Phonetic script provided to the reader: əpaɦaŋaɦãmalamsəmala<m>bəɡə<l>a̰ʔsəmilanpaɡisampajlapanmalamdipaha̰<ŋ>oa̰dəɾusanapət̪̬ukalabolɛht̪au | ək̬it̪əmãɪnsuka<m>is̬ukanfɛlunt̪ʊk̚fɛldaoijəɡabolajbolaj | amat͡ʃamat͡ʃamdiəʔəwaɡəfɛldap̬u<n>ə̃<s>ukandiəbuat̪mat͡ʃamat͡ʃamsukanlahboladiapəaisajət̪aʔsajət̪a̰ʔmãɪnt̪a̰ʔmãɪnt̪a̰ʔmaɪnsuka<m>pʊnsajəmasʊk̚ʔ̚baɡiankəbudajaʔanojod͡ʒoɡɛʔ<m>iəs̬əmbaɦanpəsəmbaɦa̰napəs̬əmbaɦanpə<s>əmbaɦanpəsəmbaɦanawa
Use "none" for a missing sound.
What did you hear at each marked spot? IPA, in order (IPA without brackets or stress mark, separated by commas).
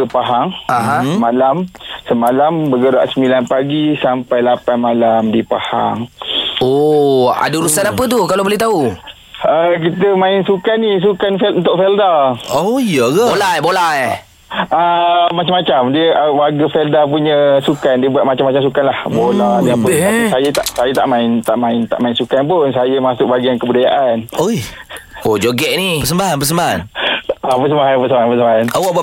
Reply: m, ɾ, ŋ, n, ɲ, s, n, n, s